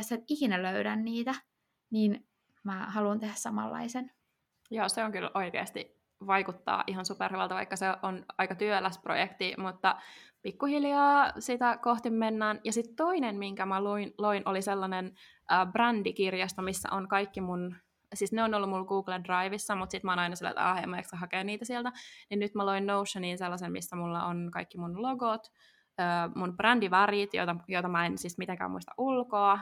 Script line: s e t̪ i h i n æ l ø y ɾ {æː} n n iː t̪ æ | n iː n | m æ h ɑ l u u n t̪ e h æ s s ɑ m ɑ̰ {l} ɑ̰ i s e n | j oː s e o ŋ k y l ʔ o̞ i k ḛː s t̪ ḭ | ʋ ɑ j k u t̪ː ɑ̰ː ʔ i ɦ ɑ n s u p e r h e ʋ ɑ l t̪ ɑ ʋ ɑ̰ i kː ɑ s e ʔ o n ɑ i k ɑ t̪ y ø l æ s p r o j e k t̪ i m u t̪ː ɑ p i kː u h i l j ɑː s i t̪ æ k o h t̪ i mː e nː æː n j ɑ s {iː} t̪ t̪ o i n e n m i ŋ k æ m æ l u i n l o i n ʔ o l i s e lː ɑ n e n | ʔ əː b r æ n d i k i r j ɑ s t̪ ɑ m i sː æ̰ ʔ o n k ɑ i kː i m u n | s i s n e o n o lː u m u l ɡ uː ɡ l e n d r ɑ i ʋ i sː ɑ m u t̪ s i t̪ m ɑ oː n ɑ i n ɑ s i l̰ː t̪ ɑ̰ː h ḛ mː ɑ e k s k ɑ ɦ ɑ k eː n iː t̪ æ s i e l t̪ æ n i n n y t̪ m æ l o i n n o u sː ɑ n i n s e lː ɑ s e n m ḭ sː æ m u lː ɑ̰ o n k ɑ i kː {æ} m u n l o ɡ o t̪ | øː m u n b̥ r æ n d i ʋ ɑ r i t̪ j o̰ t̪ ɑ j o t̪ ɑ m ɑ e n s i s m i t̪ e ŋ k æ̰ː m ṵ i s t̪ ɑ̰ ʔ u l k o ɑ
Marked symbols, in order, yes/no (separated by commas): no, no, no, no